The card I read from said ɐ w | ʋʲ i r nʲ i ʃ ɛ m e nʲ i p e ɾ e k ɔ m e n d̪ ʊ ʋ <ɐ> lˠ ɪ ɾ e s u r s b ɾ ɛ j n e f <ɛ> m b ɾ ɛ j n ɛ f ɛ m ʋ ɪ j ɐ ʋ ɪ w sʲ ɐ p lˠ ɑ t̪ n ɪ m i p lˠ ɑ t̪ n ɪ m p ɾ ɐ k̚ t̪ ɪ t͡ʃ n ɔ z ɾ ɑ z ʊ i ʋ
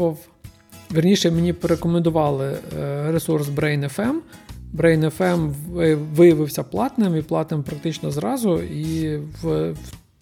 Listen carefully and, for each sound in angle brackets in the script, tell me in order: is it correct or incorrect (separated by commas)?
incorrect, correct